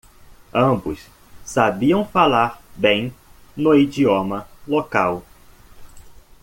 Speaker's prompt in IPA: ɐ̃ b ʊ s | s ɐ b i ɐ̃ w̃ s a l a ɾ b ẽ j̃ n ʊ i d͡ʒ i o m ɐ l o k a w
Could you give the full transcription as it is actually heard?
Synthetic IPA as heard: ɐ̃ b ʊ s | s a b i ɐ̃ w̃ f a l a ɾ b ẽ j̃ n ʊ i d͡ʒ i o m ɐ l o k a w